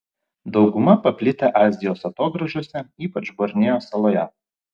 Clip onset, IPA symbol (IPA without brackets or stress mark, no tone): d̪